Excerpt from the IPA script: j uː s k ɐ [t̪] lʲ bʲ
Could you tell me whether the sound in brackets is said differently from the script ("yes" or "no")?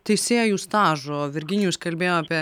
yes